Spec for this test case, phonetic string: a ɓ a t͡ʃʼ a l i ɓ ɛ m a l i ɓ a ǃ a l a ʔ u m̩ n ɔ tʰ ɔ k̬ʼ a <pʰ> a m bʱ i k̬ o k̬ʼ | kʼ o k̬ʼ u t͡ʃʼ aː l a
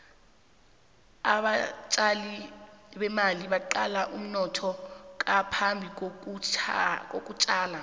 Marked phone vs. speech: correct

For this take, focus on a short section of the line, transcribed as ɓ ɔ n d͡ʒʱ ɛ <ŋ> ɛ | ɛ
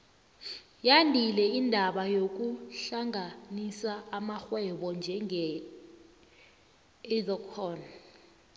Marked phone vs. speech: correct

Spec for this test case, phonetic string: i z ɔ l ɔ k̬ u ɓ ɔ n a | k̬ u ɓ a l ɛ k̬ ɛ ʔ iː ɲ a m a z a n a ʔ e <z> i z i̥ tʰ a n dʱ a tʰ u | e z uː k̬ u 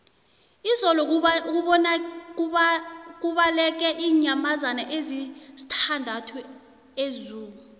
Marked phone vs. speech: correct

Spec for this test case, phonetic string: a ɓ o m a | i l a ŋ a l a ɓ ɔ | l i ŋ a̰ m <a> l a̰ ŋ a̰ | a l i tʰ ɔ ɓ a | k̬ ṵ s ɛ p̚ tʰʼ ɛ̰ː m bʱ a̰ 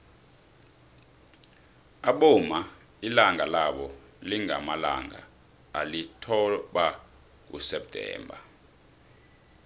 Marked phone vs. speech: correct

